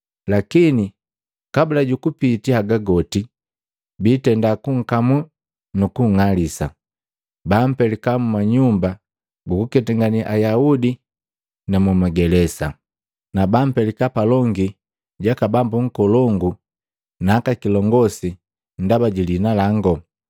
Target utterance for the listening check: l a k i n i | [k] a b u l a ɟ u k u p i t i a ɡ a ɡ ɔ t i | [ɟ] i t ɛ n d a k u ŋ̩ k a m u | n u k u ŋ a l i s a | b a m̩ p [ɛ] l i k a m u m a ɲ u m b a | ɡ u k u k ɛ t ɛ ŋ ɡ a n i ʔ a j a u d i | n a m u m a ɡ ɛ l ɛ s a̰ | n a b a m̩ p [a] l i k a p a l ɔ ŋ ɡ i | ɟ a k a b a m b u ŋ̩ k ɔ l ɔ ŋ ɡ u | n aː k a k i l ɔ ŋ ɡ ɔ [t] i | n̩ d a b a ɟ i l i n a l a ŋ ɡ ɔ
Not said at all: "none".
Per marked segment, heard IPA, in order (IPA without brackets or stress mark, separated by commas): k, b, ɛ, ɛ, s